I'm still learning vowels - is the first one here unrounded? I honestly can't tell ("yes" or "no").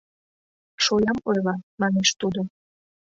no